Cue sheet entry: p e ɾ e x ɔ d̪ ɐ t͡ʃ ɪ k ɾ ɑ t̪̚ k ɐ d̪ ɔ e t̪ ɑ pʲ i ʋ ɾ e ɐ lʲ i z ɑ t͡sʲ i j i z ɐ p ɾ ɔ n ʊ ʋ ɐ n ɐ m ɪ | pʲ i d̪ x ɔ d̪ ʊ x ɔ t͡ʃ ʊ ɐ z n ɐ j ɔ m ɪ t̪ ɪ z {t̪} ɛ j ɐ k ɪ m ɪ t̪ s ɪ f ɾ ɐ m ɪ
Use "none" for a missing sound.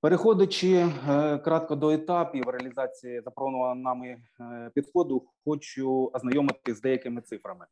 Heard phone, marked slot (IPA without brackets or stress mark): d̪